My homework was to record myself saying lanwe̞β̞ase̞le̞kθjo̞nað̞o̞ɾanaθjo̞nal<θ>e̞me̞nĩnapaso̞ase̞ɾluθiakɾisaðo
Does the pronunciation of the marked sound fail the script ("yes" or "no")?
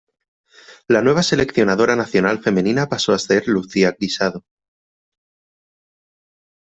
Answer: yes